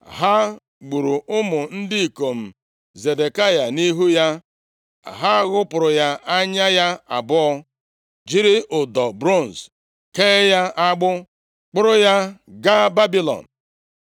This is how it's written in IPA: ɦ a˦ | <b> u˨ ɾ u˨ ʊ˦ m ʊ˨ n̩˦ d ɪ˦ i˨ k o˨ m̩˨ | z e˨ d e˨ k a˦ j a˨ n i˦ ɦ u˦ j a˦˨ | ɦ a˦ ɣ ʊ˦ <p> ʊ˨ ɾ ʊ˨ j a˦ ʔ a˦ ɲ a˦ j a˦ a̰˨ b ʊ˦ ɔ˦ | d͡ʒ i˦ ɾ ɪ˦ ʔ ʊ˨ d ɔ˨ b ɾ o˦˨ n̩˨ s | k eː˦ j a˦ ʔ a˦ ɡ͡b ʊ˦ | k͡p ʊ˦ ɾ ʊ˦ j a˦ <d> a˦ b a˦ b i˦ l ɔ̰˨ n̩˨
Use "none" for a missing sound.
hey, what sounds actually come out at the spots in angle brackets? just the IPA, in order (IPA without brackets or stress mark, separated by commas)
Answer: ɡ͡b, p, ɡ